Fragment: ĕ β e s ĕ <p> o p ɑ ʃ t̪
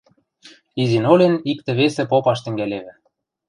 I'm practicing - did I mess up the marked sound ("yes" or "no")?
no